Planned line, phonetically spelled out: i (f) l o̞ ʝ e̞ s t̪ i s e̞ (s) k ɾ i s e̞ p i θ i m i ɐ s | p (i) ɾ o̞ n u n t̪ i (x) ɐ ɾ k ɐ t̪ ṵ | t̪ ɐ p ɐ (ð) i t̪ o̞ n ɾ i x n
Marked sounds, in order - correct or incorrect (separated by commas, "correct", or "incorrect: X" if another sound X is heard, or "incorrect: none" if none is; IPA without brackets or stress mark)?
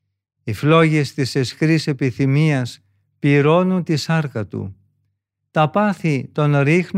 correct, correct, correct, incorrect: s, incorrect: θ